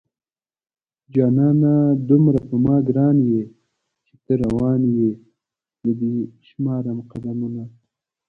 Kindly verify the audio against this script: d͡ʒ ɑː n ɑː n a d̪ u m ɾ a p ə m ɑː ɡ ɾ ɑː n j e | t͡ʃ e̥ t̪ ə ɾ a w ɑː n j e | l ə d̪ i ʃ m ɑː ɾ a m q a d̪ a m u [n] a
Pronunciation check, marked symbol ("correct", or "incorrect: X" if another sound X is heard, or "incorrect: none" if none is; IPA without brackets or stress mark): correct